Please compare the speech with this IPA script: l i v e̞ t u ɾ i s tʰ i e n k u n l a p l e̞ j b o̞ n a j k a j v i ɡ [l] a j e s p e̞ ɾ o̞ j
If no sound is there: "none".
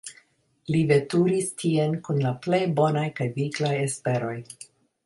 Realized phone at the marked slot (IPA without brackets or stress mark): l